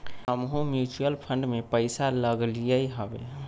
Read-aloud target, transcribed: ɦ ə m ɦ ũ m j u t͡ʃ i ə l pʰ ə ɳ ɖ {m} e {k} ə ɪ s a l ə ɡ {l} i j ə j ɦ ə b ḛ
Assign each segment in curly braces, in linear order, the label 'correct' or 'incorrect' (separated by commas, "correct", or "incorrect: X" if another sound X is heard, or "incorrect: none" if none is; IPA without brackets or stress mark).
correct, incorrect: p, correct